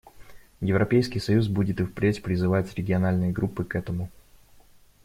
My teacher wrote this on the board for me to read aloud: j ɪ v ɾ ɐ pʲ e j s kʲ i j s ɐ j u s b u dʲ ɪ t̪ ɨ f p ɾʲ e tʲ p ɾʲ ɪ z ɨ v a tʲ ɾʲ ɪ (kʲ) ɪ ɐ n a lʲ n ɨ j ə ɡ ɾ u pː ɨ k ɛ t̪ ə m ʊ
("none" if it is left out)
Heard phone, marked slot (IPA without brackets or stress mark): ɡʲ